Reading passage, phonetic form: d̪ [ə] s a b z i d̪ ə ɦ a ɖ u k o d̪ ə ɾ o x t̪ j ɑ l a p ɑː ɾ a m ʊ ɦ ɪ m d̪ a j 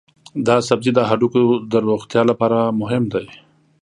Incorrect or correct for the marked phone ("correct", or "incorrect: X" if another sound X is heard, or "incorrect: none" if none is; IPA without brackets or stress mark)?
incorrect: ɑ